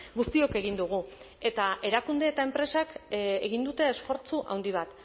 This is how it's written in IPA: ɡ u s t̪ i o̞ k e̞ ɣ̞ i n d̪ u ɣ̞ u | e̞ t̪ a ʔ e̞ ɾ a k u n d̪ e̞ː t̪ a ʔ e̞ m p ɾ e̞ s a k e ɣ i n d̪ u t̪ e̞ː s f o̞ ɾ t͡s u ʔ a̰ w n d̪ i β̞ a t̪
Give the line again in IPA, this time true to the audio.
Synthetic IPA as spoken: ɡ u s t̪ i o̞ k e̞ ɣ̞ i n d̪ u ɣ̞ u | e̞ t̪ a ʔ e̞ ɾ a k u n d̪ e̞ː t̪ a e̞ m p ɾ e̞ s a k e ɣ i n d̪ u t̪ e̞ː s f o̞ ɾ t͡s u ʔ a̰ w n d̪ i β̞ a t̪